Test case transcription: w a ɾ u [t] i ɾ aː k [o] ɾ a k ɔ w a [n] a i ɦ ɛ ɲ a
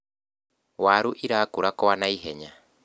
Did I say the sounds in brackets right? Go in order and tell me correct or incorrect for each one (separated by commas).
incorrect, incorrect, correct